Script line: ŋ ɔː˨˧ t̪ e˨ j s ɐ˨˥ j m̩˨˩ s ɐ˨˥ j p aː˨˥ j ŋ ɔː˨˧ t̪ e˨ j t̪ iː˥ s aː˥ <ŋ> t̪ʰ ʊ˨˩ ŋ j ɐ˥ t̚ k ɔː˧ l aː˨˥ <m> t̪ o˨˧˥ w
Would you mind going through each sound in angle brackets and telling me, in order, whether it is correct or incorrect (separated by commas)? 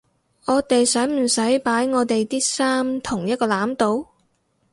incorrect, correct